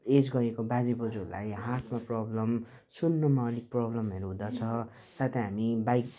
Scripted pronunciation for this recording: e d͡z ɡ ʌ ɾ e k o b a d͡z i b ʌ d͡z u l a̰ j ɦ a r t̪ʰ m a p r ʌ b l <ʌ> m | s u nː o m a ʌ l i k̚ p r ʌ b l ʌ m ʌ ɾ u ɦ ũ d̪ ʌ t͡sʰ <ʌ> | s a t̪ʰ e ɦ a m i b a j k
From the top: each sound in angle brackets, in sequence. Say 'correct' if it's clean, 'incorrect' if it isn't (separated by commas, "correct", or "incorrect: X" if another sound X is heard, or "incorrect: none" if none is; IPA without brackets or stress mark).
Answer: correct, correct